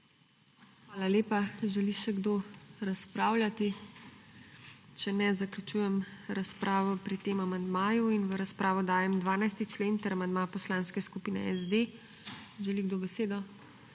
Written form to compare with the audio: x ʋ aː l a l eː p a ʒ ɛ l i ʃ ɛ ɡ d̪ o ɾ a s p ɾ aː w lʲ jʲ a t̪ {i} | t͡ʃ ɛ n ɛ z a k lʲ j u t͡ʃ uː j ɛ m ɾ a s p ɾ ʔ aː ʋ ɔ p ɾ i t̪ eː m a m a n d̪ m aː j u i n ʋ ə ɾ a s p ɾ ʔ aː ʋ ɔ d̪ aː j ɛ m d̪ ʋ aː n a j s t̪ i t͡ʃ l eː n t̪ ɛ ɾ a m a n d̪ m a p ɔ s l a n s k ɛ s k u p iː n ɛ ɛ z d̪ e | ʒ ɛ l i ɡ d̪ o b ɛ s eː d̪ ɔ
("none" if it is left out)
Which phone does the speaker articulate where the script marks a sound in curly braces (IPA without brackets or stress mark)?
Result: i